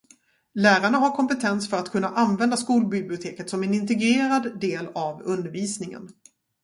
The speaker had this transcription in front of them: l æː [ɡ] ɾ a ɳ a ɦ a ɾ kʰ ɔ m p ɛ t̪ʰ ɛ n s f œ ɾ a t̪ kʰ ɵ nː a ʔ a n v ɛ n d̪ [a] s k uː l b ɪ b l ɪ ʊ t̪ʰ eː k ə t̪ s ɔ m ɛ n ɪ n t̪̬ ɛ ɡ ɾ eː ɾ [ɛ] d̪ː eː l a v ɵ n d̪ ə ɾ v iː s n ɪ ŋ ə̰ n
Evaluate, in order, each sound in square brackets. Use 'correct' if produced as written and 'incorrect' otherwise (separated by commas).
incorrect, correct, incorrect